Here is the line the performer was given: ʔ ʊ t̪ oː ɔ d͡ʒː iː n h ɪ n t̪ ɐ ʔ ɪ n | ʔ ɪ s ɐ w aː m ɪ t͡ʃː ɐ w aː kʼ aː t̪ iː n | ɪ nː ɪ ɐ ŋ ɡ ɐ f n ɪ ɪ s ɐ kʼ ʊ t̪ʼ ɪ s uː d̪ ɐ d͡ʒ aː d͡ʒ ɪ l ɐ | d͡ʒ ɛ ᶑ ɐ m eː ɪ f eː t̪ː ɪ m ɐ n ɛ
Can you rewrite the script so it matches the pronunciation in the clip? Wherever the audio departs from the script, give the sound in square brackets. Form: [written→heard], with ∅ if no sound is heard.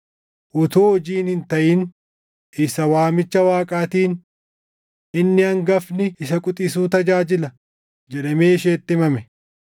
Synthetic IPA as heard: ʔ ʊ t̪ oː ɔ [d͡ʒː→d͡ʒ] iː n h ɪ n t̪ ɐ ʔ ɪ n | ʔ ɪ s ɐ w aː m ɪ t͡ʃː ɐ w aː kʼ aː t̪ iː n | ɪ nː ɪ ɐ ŋ ɡ ɐ f n ɪ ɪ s ɐ kʼ ʊ t̪ʼ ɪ s uː [d̪→t̪] ɐ d͡ʒ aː d͡ʒ ɪ l ɐ | d͡ʒ ɛ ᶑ ɐ m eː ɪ [f→ʃ] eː t̪ː ɪ m ɐ [n→m] ɛ